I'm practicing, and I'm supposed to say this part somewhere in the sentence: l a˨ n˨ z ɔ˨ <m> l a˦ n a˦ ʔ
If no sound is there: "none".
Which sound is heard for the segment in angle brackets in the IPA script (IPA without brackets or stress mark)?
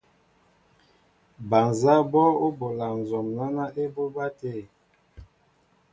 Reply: m